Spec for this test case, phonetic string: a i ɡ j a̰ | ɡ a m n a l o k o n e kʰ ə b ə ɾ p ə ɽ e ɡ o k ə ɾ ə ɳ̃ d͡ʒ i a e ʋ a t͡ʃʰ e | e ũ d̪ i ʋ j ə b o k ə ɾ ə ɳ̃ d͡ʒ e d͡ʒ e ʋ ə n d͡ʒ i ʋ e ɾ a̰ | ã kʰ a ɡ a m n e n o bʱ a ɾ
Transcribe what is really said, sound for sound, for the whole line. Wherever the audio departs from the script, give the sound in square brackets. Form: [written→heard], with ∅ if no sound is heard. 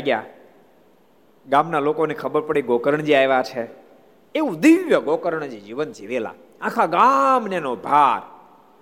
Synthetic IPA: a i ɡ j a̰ | ɡ a m n a l o k o n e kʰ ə b ə ɾ p ə ɽ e ɡ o k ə ɾ ə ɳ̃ d͡ʒ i a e ʋ a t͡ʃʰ e | e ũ d̪ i ʋ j ə [b→ɡ] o k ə ɾ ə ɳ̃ d͡ʒ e d͡ʒ [e→i] ʋ ə n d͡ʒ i ʋ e [ɾ→l] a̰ | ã kʰ a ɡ a m n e n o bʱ a ɾ